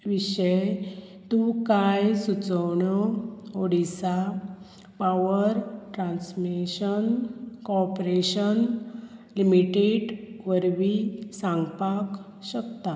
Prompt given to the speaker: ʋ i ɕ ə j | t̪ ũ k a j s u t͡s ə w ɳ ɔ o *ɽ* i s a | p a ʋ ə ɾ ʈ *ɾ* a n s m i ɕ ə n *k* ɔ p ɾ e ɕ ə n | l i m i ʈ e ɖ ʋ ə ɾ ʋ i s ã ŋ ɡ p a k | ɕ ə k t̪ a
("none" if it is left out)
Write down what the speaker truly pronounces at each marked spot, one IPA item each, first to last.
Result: ɽ, ɾ, k

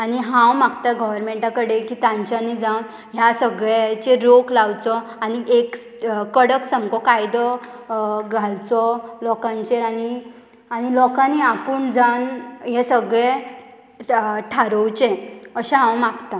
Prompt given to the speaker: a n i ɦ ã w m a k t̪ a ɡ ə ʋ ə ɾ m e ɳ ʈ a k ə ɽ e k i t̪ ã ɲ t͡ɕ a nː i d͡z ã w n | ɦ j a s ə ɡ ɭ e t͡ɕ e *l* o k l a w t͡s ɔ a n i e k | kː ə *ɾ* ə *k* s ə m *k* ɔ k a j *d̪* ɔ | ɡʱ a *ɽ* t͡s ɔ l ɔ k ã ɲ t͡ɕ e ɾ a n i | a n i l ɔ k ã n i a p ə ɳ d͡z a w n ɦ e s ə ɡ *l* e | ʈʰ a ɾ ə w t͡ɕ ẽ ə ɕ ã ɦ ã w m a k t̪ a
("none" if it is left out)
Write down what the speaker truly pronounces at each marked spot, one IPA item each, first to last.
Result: ɾ, ɽ, k, k, d̪, l, ɭ

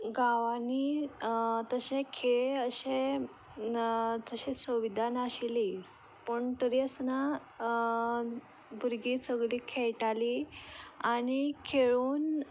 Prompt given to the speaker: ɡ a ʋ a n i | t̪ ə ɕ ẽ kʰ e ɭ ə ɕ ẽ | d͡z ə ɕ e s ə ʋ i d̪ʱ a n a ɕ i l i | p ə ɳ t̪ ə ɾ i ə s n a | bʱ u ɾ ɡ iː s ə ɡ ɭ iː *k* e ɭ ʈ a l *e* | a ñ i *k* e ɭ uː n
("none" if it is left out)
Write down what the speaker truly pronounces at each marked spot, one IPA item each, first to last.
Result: kʰ, i, kʰ

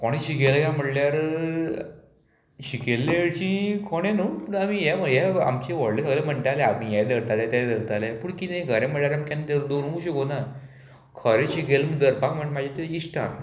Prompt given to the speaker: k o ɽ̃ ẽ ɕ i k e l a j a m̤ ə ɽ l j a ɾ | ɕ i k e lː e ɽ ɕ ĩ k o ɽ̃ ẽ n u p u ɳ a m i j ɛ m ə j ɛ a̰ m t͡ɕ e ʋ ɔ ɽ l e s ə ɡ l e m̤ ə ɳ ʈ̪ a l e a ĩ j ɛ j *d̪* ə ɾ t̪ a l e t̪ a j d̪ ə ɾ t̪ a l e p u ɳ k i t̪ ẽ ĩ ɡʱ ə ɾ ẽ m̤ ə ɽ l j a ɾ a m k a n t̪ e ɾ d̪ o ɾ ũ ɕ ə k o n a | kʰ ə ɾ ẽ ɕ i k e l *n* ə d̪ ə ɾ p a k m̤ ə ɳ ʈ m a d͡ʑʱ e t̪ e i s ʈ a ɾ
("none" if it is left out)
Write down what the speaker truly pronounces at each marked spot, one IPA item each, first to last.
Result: d̪, m

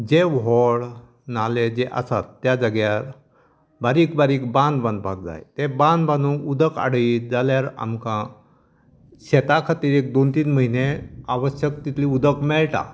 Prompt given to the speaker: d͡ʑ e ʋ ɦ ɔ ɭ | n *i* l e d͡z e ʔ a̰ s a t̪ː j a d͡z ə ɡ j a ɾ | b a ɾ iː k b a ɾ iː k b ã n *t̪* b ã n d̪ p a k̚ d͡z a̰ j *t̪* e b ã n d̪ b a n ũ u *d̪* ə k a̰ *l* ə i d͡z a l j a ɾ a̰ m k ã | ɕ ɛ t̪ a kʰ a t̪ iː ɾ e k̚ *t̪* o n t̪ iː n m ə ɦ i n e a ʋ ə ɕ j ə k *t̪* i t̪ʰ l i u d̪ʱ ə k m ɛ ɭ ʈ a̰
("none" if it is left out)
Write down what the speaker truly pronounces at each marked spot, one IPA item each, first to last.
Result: a, d̪, t̪, d̪, ɽ, d̪, t̪

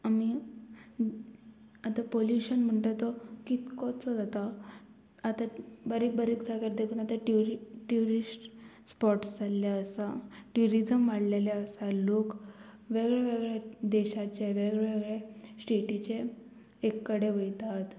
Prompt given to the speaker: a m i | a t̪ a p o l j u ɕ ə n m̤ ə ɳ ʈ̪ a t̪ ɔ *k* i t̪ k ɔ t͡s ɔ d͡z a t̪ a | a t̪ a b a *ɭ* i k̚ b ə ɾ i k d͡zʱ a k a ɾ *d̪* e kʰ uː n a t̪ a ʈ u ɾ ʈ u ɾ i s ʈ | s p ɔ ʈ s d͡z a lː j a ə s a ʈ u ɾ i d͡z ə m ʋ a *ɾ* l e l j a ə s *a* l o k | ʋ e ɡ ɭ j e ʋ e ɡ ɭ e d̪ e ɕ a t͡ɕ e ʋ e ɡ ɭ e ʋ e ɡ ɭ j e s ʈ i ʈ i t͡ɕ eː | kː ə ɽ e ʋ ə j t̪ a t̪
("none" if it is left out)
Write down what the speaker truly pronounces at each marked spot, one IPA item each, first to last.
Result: k, ɾ, d̪, ɽ, a

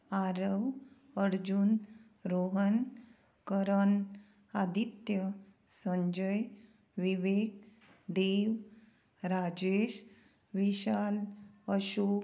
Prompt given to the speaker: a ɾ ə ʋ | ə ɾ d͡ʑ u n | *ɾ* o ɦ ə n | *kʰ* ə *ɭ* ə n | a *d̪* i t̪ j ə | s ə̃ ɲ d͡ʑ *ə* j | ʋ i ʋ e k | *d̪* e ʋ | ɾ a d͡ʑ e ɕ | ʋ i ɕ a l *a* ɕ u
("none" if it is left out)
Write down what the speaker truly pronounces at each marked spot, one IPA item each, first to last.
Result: ɾ, k, ɾ, d̪, ə, d̪, ə

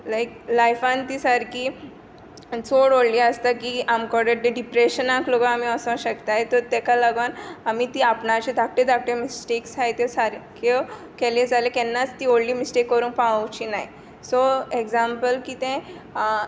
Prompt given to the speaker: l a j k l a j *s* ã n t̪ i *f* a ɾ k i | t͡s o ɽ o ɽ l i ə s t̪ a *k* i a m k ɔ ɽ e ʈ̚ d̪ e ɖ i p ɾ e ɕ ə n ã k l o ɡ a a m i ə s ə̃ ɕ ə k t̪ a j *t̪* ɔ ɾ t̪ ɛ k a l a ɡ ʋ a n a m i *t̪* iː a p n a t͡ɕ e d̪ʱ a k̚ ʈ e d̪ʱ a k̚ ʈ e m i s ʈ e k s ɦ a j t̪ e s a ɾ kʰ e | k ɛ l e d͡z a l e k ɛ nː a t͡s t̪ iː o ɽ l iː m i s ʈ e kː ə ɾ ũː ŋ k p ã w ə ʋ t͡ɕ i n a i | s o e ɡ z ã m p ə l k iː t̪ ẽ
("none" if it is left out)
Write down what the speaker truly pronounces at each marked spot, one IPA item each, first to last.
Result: f, s, k, t̪, t̪

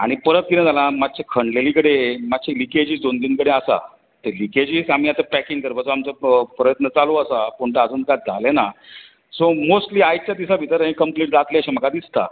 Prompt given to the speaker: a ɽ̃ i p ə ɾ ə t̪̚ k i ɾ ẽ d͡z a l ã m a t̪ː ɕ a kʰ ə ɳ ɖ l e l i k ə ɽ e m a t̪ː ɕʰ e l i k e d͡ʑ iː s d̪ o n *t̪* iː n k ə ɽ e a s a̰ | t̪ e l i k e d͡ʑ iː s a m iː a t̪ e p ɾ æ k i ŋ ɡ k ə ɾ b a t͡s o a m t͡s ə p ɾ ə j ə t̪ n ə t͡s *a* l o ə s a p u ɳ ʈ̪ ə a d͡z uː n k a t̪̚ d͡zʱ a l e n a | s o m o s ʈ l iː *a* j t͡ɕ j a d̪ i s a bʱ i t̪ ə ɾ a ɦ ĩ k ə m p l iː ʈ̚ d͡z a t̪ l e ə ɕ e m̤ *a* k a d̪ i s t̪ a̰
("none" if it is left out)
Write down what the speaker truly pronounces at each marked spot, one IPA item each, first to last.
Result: d̪, a, a, ə

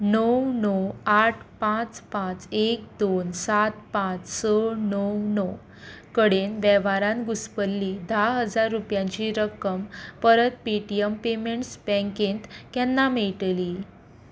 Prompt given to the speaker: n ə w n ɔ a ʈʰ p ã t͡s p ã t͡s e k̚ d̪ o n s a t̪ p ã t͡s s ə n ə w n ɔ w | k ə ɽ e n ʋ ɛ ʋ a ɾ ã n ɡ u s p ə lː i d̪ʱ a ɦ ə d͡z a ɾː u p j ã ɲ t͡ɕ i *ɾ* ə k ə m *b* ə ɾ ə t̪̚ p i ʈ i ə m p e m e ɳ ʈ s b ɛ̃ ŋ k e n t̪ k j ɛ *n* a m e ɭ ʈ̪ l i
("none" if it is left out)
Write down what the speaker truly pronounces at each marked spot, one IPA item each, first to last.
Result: ɾ, p, nː

